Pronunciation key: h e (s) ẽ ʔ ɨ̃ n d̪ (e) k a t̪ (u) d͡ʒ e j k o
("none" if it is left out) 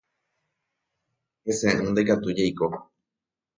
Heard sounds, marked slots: s, e, u

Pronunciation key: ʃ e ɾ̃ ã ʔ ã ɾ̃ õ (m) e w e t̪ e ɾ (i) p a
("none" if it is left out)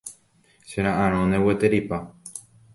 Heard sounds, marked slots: n, i

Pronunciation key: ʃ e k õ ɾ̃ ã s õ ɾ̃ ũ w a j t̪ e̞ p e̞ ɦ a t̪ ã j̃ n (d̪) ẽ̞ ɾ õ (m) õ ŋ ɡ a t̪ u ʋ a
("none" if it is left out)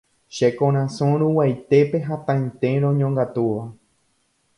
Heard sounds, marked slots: t̪, ɲ

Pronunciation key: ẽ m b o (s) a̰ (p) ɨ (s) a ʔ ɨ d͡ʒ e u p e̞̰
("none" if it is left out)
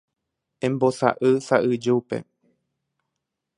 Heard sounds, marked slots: s, ʔ, s

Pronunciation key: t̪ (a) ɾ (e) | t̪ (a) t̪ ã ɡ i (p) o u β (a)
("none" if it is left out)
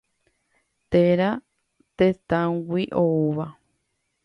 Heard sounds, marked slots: e, a, e, ʔ, a

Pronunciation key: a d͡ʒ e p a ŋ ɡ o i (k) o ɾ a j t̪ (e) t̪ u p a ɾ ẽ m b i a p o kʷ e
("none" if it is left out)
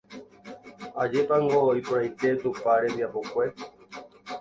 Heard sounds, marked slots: p, e

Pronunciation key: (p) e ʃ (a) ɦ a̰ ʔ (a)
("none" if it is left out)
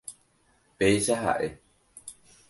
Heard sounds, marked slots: p, a, e

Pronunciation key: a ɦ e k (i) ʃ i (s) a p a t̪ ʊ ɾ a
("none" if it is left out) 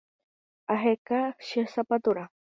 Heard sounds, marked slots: a, s

